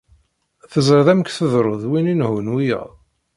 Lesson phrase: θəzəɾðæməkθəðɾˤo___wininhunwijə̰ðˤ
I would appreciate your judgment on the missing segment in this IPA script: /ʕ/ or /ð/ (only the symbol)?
ð